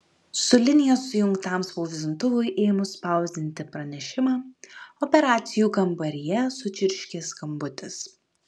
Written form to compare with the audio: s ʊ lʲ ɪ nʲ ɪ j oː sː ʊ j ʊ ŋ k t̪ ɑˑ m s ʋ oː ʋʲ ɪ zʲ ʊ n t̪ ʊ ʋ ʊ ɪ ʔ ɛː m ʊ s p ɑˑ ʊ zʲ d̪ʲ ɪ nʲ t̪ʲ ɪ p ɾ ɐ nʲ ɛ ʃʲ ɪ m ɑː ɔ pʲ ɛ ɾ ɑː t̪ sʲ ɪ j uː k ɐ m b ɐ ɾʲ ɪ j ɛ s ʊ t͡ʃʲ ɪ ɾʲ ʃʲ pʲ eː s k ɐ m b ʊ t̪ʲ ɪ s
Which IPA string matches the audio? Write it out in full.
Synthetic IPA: s ʊ lʲ ɪ nʲ ɪ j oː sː ʊ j ʊ ŋ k t̪ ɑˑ m s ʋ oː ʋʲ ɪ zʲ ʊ n t̪ ʊ ʋ ʊ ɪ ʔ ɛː m ʊ s p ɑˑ ʊ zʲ d̪ʲ ɪ nʲ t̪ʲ ɪ p ɾ ɐ nʲ ɛ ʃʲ ɪ m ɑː ɔ pʲ ɛ ɾ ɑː t̪ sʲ ɪ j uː k ɐ m b ɐ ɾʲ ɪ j ɛ s ʊ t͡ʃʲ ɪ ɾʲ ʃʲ kʲ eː s k ɐ m b ʊ t̪ʲ ɪ s